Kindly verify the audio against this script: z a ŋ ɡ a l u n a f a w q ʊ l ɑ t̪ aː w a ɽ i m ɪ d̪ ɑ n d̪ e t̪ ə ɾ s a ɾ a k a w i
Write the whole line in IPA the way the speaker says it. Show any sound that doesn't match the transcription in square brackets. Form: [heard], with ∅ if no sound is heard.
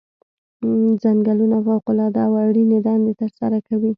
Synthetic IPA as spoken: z a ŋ ɡ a l u n a f a w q ʊ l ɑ [d̪] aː w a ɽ i [n] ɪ d̪ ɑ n d̪ e t̪ ə ɾ s a ɾ a k a w i